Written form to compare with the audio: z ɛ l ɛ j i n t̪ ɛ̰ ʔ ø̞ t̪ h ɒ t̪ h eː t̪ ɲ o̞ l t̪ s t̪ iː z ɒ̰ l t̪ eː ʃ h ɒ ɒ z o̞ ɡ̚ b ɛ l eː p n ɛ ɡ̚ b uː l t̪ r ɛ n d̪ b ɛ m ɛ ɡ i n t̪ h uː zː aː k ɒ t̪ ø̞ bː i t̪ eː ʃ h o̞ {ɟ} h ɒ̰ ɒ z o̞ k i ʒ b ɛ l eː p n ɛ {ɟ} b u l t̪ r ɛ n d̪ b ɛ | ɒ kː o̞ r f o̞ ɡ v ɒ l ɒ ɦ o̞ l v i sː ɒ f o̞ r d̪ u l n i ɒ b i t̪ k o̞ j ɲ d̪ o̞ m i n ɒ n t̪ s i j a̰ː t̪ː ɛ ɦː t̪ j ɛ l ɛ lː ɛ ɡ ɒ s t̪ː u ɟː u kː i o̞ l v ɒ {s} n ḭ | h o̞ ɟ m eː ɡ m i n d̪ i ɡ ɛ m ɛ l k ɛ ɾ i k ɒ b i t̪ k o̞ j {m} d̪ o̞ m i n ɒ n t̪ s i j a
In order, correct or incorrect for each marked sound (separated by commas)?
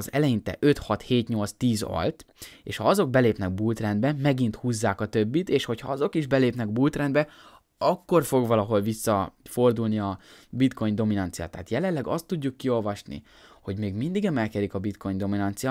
incorrect, incorrect, incorrect, incorrect